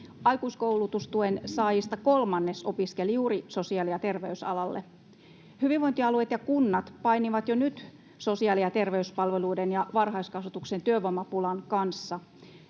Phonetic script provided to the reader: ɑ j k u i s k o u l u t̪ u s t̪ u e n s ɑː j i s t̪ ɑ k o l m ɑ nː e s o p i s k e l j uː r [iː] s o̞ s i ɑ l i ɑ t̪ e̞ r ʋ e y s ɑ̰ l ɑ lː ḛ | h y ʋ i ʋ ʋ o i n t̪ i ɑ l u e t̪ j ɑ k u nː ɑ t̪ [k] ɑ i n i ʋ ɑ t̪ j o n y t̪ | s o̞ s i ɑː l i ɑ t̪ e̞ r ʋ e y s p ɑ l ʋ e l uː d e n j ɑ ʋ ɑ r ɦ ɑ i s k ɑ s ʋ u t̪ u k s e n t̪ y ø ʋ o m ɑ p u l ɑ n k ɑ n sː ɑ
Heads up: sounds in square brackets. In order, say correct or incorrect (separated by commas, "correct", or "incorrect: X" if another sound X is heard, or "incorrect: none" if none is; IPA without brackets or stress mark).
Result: incorrect: i, incorrect: p